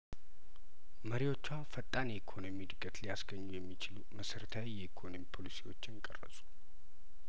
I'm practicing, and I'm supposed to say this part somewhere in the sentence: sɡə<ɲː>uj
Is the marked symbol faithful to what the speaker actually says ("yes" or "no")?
yes